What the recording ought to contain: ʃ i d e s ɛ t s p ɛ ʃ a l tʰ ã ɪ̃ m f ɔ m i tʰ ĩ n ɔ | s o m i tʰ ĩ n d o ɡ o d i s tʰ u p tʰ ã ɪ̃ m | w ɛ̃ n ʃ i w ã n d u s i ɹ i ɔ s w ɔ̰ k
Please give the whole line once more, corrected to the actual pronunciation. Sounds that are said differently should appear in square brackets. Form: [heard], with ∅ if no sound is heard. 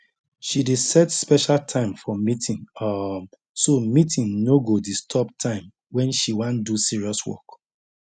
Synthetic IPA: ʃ i d e s ɛ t s p ɛ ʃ a l tʰ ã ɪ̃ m f ɔ m i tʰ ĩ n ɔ | s o m i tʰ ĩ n [n] o ɡ o d i s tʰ [ɔ] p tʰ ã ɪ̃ m | w ɛ̃ n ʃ i w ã n d u s i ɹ i ɔ s w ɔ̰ k